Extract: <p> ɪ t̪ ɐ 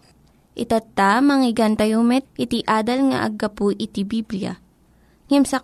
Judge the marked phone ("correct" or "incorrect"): incorrect